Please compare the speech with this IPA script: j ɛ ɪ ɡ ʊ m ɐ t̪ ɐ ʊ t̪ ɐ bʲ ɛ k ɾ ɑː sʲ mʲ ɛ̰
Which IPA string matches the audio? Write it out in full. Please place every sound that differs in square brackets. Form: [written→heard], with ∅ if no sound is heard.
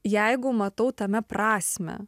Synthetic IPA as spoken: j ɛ ɪ ɡ ʊ m ɐ t̪ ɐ ʊ t̪ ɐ [bʲ→mʲ] ɛ [k→p] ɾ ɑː sʲ mʲ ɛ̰